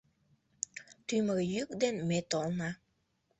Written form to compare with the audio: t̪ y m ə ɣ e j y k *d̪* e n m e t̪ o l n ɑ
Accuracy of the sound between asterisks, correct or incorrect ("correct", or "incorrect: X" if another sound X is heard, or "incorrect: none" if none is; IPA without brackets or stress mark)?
correct